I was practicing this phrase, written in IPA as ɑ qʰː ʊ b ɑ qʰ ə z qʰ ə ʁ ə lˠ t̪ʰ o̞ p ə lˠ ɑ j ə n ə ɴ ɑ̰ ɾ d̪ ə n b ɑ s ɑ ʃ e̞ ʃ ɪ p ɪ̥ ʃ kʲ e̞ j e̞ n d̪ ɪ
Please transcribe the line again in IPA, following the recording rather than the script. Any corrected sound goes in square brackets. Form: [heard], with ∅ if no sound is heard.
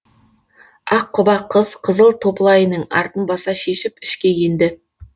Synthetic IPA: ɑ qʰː ʊ b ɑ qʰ ə z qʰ ə [z] ə lˠ t̪ʰ o̞ p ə lˠ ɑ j ə n ə ɴ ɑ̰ ɾ [t̪] ə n b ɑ s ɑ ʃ e̞ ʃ ɪ p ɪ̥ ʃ kʲ e̞ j e̞ n d̪ ɪ